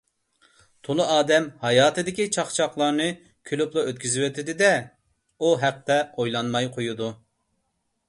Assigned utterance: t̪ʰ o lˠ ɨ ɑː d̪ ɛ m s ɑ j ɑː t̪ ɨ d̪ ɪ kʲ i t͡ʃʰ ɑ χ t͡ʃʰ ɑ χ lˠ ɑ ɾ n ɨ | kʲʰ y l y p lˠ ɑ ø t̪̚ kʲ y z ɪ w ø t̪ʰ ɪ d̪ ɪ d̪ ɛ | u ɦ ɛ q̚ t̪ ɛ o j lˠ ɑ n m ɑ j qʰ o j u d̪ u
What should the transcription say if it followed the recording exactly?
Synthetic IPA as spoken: t̪ʰ o lˠ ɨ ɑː d̪ ɛ m h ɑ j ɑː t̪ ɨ d̪ ɪ kʲ i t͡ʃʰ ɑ χ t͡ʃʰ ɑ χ lˠ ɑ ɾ n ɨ | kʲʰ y l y p lˠ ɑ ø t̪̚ kʲ y z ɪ w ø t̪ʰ ɪ d̪ ɪ d̪ ɛ | u ɦ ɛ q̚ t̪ ɛ o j lˠ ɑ n m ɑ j qʰ o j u d̪ u

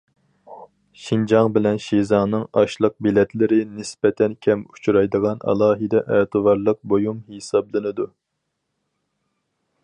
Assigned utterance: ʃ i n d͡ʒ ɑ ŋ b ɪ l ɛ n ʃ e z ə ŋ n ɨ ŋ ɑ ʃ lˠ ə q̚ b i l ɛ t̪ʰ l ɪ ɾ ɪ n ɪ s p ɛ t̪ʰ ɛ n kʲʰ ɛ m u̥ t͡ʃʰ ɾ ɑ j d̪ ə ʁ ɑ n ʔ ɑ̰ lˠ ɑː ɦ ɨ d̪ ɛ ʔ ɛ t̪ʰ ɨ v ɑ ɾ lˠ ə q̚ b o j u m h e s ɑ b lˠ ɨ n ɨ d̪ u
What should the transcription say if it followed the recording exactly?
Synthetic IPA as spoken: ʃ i n d͡ʒ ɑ ŋ b ɪ l ɛ n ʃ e z ɑ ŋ n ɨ ŋ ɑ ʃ lˠ ə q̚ b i l ɛ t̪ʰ l ɪ ɾ ɪ n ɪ s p ɛ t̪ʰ ɛ n kʲʰ ɛ m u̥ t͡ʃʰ ɾ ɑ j d̪ ə ʁ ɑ n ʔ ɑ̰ lˠ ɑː ɦ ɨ d̪ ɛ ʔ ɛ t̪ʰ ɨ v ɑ ɾ lˠ ə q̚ b o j u m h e s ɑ b lˠ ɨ n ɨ d̪ u

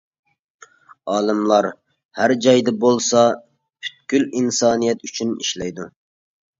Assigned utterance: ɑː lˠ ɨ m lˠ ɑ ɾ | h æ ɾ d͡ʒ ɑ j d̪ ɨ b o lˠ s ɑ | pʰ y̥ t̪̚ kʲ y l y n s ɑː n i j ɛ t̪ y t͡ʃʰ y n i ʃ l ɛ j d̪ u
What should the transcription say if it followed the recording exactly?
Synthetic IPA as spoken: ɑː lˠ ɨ m lˠ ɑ ɾ | h æ ɾ d͡ʒ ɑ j d̪ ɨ b o lˠ s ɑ | pʰ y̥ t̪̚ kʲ y l i n s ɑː n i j ɛ t̪ y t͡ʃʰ y n i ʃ l ɛ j d̪ u

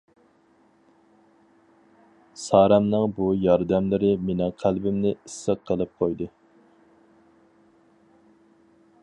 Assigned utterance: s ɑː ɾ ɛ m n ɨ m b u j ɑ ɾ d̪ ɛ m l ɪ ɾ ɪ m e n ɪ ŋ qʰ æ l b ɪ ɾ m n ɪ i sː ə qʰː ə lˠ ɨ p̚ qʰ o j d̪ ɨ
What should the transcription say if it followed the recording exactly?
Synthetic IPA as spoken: s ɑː ɾ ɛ m n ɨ ŋ b u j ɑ ɾ d̪ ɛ m l ɪ ɾ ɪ m e n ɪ ŋ qʰ æ l b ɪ m n ɪ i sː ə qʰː ə lˠ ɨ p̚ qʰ o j d̪ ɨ

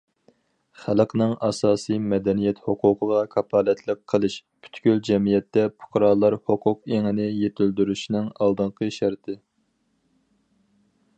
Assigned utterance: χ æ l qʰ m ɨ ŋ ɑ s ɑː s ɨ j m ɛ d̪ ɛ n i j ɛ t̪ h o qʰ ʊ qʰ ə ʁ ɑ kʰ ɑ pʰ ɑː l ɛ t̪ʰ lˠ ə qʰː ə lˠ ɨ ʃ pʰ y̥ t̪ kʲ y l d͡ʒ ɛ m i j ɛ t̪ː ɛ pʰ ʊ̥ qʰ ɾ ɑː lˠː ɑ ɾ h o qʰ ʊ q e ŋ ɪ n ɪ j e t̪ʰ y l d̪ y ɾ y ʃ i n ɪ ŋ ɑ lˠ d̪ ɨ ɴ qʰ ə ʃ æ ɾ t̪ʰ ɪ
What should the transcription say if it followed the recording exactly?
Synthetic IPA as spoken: χ æ l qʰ n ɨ ŋ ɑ s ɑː s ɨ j m ɛ d̪ ɛ n i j ɛ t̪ h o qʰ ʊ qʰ ə ʁ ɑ kʰ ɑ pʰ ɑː l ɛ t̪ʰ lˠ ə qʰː ə lˠ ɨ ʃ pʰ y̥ t̪ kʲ y l d͡ʒ ɛ m i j ɛ t̪ː ɛ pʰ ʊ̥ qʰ ɾ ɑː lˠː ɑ ɾ h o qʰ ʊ q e ŋ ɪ n ɪ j e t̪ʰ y l d̪ y ɾ y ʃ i n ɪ ŋ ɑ lˠ d̪ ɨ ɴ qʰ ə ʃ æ ɾ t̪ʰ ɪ

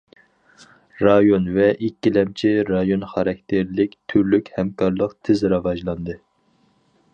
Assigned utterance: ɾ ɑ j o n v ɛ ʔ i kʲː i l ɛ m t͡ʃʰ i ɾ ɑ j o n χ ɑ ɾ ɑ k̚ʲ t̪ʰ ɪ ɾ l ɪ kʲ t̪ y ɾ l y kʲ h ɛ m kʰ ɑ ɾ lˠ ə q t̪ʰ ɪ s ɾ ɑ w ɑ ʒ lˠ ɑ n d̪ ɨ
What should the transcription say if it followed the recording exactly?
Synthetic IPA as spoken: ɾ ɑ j o n v ɛ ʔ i kʲː i l ɛ m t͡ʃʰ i ɾ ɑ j o n χ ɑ ɾ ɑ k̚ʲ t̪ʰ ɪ ɾ l ɪ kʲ t̪ʰ y ɾ l y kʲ h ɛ m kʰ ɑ ɾ lˠ ə q t̪ʰ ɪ z ɾ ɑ v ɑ ʒ lˠ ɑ n d̪ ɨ

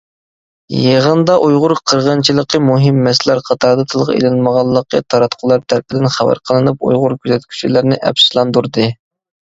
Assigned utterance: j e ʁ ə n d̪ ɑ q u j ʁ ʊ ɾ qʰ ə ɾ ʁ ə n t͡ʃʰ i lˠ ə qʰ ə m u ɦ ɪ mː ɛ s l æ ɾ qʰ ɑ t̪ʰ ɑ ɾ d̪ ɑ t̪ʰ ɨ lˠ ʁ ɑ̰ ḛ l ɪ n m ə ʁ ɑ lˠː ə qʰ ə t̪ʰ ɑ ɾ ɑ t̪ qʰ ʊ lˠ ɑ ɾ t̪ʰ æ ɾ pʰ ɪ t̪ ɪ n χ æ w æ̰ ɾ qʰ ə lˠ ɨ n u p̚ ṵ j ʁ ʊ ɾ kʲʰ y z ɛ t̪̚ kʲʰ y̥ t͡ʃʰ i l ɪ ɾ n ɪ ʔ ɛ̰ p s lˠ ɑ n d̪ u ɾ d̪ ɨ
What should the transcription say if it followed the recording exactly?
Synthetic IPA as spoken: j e ʁ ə n d̪ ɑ ʔ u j ʁ ʊ ɾ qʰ ə ɾ ʁ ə n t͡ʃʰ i lˠ ə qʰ ə m u ɦ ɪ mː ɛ s l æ ɾ qʰ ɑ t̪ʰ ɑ ɾ d̪ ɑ t̪ʰ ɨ lˠ ʁ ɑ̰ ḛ l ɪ n m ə ʁ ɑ lˠː ə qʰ ə t̪ʰ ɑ ɾ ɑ t̪ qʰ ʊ lˠ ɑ ɾ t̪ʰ æ ɾ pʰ ɪ d̪ ɪ n χ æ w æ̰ ɾ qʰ ə lˠ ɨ n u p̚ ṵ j ʁ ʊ ɾ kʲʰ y z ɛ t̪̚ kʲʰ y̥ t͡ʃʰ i l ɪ ɾ n ɪ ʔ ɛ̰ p s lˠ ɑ n d̪ u ɾ d̪ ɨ

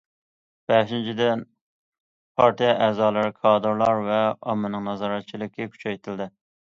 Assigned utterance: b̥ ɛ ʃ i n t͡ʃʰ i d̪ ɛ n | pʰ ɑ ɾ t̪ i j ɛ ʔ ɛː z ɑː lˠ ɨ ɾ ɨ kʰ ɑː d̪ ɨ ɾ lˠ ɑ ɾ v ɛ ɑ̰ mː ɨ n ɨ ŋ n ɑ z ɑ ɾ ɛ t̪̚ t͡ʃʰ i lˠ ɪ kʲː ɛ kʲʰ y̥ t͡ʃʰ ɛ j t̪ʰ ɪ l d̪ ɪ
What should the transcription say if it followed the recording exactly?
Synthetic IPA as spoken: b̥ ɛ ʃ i n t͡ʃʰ i d̪ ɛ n | pʰ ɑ ɾ t̪ i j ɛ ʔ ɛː z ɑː lˠ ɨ ɾ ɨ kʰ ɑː d̪ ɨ ɾ lˠ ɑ ɾ v ɛ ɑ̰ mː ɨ n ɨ ŋ n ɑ z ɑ ɾ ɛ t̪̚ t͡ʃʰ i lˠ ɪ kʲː ɛ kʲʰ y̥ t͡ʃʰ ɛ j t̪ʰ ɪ l d̪ ɪ

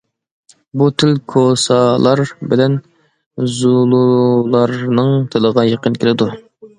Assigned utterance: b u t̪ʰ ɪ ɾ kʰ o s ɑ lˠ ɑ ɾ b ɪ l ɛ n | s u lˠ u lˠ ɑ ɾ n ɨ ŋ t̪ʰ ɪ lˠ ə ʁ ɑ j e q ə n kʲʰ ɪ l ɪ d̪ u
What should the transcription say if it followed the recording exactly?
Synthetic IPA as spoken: b u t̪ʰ ɪ l kʰ o s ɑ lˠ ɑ ɾ b ɪ l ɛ n | z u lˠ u lˠ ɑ ɾ n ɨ ŋ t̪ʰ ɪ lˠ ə ʁ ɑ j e q ə n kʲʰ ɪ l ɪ d̪ u

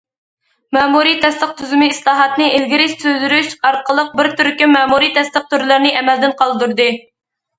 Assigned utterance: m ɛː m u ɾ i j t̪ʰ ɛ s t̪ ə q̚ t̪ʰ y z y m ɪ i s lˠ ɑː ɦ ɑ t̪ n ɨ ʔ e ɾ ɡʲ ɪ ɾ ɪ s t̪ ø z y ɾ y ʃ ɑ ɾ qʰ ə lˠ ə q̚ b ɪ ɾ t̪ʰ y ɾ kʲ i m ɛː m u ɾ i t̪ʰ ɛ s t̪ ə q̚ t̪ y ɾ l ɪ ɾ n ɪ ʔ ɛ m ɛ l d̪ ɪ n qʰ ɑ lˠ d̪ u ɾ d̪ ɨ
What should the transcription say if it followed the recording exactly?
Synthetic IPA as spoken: m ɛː m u ɾ i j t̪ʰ ɛ s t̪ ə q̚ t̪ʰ y z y m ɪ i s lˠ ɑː ɦ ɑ t̪ n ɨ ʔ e l ɡʲ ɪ ɾ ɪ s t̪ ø z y ɾ y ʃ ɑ ɾ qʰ ə lˠ ə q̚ b ɪ ɾ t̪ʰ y ɾ kʲ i m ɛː m u ɾ i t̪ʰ ɛ s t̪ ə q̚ t̪ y ɾ l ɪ ɾ n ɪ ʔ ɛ m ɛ l d̪ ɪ n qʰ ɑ lˠ d̪ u ɾ d̪ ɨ

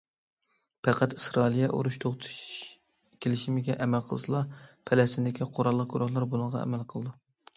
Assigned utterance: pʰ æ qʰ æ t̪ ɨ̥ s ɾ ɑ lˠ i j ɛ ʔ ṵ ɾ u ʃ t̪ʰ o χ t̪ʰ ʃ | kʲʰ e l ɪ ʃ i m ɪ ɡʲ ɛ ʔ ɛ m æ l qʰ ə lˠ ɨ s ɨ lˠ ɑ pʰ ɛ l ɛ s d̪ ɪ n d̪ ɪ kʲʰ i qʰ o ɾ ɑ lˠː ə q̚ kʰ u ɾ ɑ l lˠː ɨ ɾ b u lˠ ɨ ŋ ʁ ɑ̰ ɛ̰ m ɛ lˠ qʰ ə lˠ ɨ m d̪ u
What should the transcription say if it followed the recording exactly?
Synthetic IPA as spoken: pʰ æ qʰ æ t̪ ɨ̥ s ɾ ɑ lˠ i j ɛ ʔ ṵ ɾ u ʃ t̪ʰ o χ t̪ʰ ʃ | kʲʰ e l ɪ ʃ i m ɪ ɡʲ ɛ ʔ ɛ m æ l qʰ ə lˠ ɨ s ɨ lˠ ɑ pʰ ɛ l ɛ s t̪ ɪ n d̪ ɪ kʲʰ i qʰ o ɾ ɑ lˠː ə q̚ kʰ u ɾ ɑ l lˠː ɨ ɾ b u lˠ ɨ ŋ ʁ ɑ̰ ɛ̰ m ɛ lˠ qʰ ə lˠ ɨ d̪ u

